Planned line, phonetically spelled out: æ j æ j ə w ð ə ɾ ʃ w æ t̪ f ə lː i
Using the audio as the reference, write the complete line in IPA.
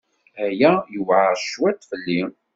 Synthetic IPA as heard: æ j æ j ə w ʕ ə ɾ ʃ w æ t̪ f ə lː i